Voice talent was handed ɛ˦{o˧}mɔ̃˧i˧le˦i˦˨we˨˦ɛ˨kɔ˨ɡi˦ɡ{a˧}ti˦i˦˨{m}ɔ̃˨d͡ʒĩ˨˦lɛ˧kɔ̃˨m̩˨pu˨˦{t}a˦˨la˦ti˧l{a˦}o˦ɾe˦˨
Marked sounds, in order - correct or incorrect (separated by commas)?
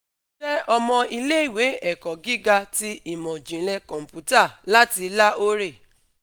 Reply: incorrect, correct, correct, correct, correct